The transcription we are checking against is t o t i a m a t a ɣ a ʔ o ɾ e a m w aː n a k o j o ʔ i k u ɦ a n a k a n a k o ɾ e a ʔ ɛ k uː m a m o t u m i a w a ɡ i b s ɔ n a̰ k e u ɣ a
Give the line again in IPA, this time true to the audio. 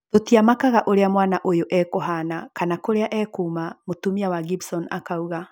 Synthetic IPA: t o t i a m a k a ɣ a ʔ o ɾ e a m w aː n a ʔ o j o ʔ ɛ k o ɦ a n a k a n a k o ɾ e a ʔ ɛ k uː m a m o t u m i a w a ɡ i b s ɔ n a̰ k a u ɣ a